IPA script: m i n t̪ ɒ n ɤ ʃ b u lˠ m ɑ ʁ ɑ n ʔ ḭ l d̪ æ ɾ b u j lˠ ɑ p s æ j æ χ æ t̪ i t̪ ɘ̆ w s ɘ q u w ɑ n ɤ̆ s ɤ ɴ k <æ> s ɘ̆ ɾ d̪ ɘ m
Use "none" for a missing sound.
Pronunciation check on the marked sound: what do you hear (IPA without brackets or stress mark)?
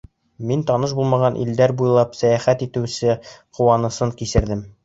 i